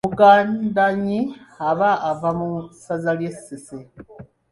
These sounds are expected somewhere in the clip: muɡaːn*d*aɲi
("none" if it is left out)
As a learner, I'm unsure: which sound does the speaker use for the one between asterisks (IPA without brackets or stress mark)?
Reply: d